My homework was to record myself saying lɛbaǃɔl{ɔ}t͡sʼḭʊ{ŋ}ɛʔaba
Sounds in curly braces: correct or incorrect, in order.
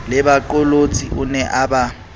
incorrect: o, incorrect: n

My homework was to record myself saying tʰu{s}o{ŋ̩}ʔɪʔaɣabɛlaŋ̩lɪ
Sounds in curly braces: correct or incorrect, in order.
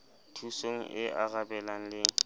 correct, correct

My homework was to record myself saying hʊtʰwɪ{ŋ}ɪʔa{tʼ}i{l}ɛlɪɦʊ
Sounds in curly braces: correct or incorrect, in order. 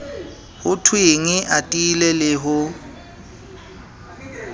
correct, correct, correct

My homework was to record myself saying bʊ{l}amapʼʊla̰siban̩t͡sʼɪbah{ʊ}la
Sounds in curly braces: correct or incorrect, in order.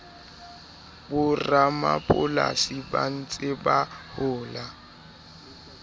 incorrect: r, incorrect: ʊː

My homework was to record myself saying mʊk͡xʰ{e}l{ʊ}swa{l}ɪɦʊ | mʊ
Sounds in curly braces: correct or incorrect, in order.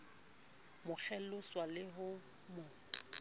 incorrect: ɛ, correct, correct

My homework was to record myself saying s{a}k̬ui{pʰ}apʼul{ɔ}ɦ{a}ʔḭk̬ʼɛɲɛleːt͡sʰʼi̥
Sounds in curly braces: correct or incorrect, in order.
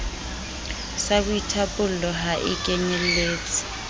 correct, incorrect: tʰ, correct, correct

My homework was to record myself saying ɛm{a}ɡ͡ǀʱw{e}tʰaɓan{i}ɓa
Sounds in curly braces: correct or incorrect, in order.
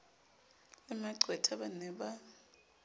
correct, incorrect: ɛ, incorrect: ɛ

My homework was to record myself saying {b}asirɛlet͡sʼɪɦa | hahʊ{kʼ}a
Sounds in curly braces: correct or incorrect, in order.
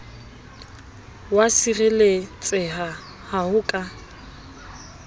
incorrect: w, correct

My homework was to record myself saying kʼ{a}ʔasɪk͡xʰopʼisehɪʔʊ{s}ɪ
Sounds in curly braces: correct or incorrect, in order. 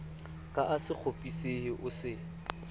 correct, correct

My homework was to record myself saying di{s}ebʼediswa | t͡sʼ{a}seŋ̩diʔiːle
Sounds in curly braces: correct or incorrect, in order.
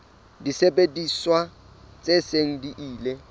correct, incorrect: e

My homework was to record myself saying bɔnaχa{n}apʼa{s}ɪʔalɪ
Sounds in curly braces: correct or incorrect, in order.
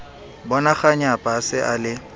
incorrect: ɲ, correct

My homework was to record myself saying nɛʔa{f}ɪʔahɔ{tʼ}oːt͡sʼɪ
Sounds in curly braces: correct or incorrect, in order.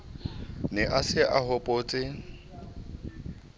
incorrect: s, incorrect: pʼ

